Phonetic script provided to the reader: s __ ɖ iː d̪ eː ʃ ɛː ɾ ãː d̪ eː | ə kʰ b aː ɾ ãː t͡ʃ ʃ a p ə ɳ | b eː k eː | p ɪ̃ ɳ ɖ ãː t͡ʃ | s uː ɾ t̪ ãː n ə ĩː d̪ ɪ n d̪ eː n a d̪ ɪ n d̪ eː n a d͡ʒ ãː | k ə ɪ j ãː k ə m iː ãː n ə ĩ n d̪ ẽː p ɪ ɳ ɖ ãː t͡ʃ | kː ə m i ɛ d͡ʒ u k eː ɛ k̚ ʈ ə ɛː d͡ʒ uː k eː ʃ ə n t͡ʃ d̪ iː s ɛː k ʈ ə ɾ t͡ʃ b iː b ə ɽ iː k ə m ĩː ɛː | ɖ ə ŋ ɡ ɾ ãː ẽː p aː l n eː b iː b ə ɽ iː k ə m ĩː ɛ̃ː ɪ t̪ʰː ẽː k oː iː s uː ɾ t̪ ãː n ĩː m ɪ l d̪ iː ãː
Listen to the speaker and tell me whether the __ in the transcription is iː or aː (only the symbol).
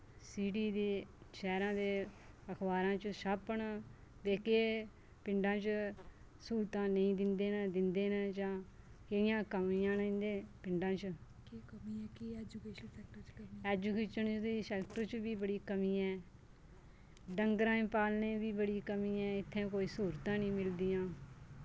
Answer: iː